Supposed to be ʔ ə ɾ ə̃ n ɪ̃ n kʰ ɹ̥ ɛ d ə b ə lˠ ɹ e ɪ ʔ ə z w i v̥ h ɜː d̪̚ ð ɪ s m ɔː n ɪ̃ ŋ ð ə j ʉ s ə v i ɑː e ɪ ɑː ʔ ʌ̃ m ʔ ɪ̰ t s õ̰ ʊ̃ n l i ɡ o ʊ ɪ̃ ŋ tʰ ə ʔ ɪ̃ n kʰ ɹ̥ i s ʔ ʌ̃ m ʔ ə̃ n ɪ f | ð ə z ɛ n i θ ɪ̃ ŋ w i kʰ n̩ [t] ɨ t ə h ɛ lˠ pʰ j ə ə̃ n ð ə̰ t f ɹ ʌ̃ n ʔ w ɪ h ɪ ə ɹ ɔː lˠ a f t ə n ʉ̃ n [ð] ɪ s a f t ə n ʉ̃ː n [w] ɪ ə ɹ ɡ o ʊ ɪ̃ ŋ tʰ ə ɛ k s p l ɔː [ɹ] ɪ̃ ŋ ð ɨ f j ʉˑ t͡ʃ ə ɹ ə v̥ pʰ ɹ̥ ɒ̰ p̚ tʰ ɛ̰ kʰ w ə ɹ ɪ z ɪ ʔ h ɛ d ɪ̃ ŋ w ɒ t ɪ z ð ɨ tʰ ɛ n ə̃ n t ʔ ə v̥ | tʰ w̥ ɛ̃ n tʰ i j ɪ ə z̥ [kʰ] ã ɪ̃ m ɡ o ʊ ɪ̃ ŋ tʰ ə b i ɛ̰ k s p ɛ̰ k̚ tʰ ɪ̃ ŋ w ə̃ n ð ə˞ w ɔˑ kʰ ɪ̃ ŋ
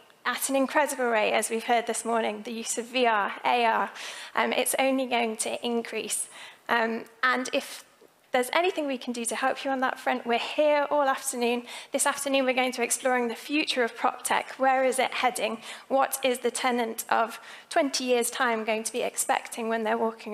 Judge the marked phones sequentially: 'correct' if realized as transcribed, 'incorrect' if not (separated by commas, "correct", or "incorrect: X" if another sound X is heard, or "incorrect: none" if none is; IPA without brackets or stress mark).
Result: incorrect: d, correct, correct, correct, incorrect: tʰ